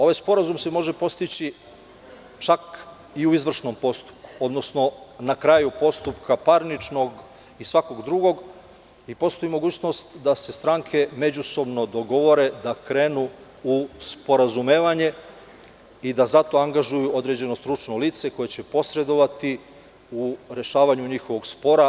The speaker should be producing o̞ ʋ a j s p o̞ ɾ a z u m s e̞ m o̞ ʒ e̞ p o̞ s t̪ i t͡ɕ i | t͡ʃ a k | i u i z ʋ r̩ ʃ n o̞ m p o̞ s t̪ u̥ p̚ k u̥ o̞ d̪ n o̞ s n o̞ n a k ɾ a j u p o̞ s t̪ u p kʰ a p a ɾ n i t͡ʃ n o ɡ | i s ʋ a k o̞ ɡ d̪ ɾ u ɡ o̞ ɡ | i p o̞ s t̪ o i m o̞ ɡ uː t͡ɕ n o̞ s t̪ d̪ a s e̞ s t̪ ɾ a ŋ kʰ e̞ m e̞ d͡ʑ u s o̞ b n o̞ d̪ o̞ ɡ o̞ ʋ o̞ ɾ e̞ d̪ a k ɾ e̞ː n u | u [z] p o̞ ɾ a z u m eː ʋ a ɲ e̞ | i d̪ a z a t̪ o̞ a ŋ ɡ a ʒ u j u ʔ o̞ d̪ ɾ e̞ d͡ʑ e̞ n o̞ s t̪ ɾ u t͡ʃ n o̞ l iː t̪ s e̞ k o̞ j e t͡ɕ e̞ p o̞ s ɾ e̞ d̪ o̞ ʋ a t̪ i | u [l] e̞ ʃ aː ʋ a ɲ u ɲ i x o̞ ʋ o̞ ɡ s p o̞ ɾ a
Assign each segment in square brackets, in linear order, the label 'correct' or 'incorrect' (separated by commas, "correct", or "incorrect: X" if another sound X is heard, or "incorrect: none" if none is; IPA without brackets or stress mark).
incorrect: s, incorrect: ɾ